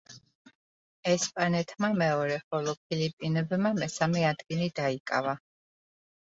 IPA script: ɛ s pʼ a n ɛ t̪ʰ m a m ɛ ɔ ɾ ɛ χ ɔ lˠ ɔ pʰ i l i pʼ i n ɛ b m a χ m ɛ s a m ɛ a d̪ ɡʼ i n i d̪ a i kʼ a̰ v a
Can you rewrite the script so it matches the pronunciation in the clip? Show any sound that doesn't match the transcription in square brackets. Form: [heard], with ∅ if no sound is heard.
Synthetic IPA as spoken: ɛ s pʼ a n ɛ t̪ʰ m a m ɛ ɔ ɾ ɛ χ ɔ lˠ ɔ pʰ i l i pʼ i n ɛ b m a [∅] m ɛ s a m ɛ a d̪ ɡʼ i n i d̪ a i kʼ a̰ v a